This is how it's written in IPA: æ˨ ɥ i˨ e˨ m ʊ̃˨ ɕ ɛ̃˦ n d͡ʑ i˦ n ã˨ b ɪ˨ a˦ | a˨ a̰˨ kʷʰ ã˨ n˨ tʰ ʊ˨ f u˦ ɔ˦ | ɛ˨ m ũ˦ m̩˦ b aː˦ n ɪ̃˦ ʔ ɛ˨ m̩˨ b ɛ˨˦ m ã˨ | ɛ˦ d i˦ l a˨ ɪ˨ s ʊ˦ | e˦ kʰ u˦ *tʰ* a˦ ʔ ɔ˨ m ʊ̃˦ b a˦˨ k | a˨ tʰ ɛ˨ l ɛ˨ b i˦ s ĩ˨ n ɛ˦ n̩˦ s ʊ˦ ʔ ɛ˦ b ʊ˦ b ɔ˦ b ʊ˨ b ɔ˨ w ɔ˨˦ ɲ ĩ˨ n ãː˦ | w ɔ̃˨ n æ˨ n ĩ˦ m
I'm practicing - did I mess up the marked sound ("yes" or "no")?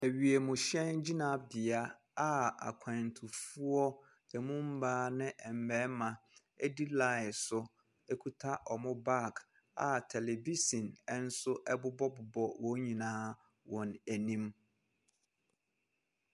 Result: no